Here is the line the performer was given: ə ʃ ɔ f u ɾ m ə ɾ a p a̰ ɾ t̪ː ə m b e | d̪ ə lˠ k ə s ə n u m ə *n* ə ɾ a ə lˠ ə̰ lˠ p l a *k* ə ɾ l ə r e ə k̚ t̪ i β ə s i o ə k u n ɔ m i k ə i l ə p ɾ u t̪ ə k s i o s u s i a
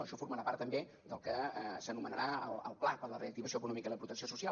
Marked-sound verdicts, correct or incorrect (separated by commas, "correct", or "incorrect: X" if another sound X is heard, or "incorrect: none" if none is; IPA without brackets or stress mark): correct, incorrect: p